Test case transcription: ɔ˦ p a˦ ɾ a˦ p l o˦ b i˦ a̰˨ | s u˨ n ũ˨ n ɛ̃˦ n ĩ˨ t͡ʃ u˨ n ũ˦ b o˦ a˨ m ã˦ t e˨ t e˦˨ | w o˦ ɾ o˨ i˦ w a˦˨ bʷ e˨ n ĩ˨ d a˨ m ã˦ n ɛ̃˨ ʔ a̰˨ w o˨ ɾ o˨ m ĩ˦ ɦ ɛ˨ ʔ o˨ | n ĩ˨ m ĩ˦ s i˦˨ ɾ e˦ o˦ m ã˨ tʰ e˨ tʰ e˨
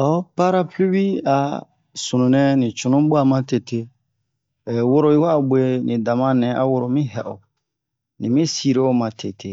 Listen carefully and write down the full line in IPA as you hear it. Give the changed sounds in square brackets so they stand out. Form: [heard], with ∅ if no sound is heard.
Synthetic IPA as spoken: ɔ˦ p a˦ ɾ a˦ p l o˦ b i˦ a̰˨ | s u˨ n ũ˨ n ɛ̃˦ n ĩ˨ t͡ʃ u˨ n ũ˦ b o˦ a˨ m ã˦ t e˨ t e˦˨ | w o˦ ɾ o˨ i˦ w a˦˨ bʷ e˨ n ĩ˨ d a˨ m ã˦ n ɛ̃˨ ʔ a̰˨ w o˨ ɾ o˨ m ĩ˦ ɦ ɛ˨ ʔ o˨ | n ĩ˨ m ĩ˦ s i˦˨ ɾ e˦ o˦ m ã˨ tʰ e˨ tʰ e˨

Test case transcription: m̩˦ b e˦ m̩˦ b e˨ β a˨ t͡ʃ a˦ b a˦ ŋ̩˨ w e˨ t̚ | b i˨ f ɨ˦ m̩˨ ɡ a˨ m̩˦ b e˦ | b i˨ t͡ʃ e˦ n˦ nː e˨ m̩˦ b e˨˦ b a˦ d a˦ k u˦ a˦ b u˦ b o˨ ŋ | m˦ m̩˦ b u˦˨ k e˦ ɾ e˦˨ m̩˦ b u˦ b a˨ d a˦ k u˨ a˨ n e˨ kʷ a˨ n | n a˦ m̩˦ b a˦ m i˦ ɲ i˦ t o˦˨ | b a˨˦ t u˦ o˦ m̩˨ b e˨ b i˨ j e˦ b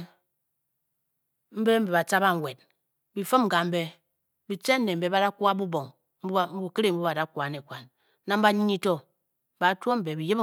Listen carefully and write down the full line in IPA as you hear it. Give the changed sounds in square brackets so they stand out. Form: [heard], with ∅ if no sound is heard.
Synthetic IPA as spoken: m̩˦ b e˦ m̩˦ b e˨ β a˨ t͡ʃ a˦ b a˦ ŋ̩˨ w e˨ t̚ | b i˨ f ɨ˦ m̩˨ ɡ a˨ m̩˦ b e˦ | b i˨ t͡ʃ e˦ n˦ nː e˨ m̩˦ b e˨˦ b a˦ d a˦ k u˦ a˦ b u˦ b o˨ ŋ | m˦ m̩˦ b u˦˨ k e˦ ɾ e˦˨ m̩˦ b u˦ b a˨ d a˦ k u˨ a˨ n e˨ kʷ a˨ n | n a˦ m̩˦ b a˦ [ɲ] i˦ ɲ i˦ t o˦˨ | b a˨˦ t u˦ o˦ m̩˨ b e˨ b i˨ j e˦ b

